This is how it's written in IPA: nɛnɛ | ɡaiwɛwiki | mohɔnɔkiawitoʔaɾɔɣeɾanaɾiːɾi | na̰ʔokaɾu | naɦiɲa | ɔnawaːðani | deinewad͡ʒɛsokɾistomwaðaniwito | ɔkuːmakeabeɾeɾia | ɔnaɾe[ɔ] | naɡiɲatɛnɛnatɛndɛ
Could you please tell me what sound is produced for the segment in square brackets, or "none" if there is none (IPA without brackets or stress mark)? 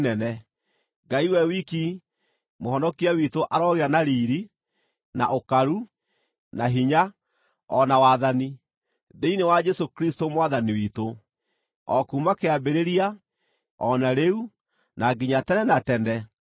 u